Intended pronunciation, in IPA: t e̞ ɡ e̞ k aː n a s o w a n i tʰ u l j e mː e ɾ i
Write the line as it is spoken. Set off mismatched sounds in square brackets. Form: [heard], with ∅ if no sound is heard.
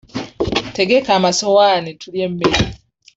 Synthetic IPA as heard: t e̞ ɡ e̞ k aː [m] a s o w a n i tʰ u l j e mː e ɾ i